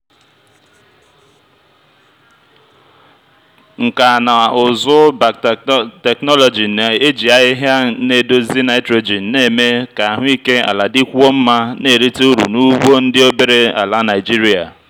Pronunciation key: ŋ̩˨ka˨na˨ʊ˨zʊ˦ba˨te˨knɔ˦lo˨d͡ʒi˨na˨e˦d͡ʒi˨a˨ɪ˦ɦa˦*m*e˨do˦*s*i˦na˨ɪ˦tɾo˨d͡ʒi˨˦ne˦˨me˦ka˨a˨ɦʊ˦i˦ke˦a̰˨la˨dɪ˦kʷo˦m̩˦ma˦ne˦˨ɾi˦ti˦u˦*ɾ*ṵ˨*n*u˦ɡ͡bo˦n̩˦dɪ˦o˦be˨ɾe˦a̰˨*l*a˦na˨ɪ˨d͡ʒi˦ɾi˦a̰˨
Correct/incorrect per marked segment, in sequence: incorrect: n, incorrect: z, correct, correct, correct

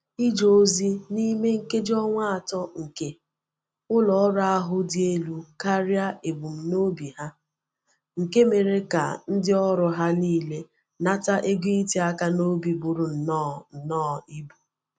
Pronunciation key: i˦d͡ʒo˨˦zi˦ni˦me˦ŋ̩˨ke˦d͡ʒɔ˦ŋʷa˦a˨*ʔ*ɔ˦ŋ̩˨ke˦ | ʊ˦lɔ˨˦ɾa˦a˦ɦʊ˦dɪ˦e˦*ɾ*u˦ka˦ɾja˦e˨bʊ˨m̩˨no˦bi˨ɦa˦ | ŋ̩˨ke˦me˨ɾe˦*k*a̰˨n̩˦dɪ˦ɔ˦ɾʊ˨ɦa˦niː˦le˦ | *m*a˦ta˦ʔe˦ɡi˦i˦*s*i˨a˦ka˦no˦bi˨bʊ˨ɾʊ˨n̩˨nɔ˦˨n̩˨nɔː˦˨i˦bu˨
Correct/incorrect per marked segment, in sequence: incorrect: t, incorrect: l, correct, incorrect: n, incorrect: t

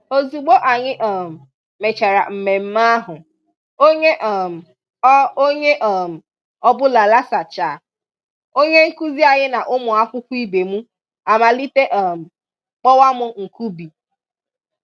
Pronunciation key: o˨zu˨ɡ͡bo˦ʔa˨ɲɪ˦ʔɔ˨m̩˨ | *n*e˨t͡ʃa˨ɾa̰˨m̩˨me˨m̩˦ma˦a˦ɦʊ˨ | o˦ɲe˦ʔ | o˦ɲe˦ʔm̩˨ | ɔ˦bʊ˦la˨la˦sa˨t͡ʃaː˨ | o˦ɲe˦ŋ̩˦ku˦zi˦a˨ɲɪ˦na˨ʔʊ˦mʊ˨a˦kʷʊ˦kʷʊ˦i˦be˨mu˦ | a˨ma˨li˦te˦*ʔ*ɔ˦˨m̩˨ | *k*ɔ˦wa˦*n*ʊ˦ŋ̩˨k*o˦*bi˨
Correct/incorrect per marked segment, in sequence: incorrect: m, correct, incorrect: k͡p, incorrect: m, incorrect: u˦

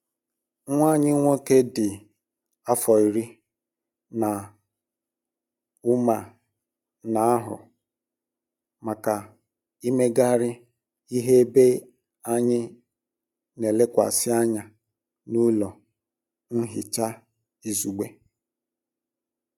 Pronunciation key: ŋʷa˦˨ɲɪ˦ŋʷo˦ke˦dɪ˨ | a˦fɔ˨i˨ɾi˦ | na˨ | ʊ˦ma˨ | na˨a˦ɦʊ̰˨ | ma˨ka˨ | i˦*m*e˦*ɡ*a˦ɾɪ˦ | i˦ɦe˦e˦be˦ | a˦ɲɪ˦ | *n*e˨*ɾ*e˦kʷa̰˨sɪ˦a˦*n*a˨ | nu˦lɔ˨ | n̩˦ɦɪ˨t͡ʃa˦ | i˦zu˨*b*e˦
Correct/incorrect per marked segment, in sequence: correct, correct, correct, incorrect: l, incorrect: ɲ, incorrect: ɡ͡b

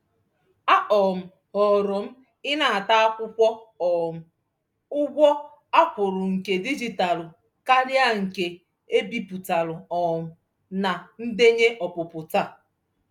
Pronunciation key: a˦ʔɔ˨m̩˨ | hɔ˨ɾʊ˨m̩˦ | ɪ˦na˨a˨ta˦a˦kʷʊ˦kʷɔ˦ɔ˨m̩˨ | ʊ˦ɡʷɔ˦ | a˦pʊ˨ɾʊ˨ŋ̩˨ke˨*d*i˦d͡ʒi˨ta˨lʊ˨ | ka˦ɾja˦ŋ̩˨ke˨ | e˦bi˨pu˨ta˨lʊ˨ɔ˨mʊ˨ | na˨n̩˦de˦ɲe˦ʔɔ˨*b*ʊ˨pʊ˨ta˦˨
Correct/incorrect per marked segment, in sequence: correct, incorrect: p

